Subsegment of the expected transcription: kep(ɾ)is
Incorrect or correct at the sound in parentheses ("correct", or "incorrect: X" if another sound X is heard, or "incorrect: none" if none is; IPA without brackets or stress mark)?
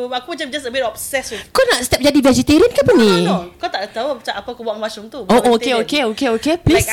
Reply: incorrect: l